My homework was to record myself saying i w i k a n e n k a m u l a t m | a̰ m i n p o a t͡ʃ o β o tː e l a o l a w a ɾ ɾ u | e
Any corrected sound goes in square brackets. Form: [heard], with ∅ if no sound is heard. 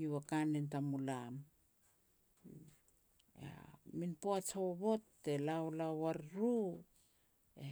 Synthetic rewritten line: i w [a] k a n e n [t] a m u l a [∅] m | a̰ m i n p o a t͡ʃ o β o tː e l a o l a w a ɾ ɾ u | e